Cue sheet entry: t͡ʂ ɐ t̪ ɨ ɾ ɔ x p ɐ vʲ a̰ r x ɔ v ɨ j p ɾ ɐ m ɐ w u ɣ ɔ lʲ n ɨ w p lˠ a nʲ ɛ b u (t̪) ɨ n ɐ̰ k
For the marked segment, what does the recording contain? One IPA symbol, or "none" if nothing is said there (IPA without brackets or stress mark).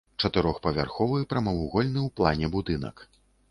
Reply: d̪